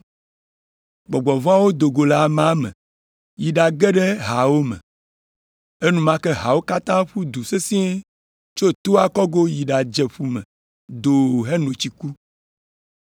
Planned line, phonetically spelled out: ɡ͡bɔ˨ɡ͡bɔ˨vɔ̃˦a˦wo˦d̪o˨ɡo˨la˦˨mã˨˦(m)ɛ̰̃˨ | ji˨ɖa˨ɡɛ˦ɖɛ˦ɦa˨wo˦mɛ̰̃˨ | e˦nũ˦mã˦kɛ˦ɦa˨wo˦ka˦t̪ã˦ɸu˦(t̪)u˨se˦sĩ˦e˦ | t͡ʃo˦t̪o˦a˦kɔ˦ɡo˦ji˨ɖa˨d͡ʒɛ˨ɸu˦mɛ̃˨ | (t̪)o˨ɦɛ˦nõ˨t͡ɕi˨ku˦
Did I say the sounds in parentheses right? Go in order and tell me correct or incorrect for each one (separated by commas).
correct, incorrect, incorrect